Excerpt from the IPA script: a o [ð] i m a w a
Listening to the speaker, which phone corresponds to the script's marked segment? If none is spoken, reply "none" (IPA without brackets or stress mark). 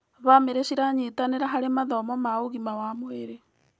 ɣ